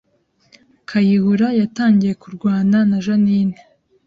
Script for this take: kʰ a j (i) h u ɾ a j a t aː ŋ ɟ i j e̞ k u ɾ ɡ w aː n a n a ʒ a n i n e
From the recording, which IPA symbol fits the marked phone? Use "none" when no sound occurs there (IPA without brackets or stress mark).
i